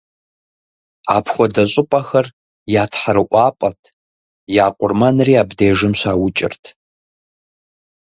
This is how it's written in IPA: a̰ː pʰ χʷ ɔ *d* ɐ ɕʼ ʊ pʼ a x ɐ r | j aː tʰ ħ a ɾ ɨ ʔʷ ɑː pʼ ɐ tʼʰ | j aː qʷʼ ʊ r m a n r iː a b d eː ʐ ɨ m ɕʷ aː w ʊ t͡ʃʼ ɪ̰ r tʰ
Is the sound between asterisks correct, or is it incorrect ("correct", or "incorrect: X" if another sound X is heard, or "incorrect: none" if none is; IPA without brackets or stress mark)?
correct